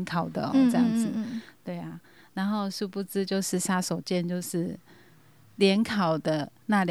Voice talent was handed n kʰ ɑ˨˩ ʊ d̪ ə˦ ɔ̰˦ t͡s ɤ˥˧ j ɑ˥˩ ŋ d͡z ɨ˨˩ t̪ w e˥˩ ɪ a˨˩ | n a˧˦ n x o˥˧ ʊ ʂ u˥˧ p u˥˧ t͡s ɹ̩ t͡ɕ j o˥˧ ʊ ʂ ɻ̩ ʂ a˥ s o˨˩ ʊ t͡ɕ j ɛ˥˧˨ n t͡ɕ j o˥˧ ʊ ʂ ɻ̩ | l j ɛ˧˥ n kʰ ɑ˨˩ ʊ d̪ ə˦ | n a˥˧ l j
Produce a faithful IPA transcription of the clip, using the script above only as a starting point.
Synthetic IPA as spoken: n kʰ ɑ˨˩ ʊ d̪ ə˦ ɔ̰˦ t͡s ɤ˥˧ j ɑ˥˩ ŋ d͡z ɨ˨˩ t̪ w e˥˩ ɪ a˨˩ | n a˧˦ n x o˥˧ ʊ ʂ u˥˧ p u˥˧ t͡s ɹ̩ t͡ɕ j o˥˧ ʊ ʂ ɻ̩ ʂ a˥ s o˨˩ ʊ t͡ɕ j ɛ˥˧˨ n t͡ɕ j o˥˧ ʊ ʂ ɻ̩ | l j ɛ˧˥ n kʰ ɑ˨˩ ʊ d̪ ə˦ | n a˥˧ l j